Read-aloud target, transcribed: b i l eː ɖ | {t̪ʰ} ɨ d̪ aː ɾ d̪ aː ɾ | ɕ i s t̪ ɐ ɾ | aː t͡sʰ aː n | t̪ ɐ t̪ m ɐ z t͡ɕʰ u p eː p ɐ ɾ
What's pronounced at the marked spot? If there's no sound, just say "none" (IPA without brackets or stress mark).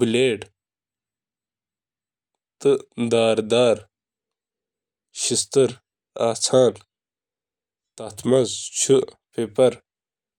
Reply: t̪